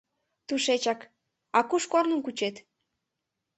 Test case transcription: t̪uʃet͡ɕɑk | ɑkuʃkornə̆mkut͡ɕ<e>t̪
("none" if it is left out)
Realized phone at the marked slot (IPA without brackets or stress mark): e